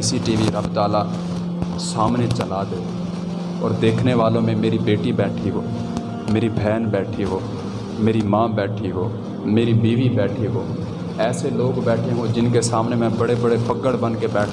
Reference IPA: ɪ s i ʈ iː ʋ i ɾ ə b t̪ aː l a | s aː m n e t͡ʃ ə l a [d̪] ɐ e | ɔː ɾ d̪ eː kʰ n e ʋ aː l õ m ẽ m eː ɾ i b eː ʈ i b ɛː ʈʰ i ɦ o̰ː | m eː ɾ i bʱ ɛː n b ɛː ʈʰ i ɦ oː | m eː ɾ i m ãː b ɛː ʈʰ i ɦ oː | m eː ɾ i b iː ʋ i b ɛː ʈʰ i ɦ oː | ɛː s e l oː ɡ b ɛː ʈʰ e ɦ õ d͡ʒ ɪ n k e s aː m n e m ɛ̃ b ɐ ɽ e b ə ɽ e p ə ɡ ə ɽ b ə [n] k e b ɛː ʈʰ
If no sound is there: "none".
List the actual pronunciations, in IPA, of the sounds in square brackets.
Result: d̪, n

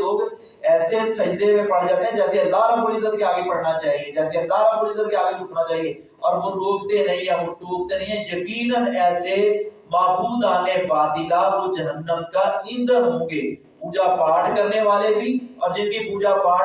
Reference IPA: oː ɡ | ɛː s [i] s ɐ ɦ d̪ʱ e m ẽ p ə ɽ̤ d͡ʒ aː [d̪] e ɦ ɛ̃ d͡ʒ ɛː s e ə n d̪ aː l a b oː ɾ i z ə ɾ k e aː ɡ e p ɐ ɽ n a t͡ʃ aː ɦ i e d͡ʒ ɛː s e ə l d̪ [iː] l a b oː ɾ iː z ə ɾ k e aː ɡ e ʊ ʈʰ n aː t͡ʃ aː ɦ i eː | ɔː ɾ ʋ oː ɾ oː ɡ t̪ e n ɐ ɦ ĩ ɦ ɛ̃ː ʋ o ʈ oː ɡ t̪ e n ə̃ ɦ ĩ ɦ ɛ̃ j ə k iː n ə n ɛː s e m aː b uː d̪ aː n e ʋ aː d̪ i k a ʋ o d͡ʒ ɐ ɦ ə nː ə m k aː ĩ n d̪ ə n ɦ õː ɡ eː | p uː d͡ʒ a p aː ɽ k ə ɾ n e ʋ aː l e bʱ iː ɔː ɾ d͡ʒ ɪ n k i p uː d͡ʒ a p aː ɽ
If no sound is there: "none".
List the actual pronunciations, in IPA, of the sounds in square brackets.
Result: e, t̪, aː

